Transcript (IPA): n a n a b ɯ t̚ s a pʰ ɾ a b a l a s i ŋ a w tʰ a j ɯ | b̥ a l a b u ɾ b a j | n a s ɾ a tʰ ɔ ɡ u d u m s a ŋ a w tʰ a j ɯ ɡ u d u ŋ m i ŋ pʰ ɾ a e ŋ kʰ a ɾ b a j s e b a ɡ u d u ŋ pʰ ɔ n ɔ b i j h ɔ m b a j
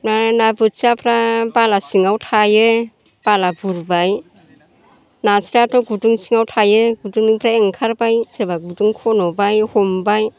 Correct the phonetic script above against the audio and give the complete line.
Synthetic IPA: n a n a b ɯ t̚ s a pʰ ɾ a b a l a s i ŋ a w tʰ a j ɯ | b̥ a l a b u ɾ b a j | n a s ɾ a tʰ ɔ ɡ u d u ŋ s i ŋ a w tʰ a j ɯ ɡ u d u ŋ n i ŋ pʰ ɾ a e ŋ kʰ a ɾ b a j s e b a ɡ u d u ŋ kʰ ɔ n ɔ b a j h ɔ m b a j